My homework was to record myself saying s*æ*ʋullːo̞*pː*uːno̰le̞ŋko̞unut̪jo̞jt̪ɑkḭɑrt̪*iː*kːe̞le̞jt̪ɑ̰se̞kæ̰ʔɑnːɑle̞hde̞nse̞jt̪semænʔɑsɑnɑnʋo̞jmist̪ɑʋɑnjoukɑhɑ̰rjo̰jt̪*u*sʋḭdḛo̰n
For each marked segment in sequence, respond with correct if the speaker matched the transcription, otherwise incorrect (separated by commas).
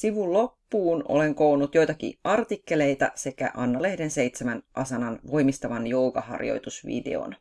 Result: incorrect, correct, incorrect, correct